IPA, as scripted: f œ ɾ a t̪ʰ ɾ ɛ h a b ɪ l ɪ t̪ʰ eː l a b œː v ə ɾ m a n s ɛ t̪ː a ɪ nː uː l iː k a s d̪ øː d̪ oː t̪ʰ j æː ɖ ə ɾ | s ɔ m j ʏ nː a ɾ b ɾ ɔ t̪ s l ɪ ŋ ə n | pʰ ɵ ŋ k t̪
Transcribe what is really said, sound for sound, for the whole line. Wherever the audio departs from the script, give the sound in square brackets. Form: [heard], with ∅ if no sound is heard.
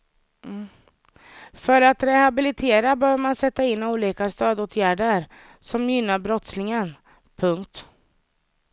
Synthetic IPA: f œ ɾ a [t̪] ɾ ɛ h a b ɪ l ɪ t̪ʰ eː [ɾ] a b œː v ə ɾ m a n s ɛ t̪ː a ɪ nː uː l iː k a s [t̪] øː d̪ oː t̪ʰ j æː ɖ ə ɾ | s ɔ m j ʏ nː a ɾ b ɾ ɔ t̪ s l ɪ ŋ ə n | pʰ ɵ ŋ k t̪